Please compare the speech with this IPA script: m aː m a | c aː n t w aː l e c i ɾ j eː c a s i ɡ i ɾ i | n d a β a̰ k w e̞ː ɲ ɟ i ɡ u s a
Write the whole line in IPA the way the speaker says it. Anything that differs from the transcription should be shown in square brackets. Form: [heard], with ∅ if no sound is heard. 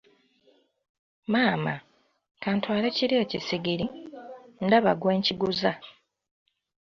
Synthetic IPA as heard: m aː m a | [k] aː n t w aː l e c i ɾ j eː c [i] s i ɡ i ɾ i | n d a β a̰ [ɡ] w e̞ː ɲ [c] i ɡ u [z] a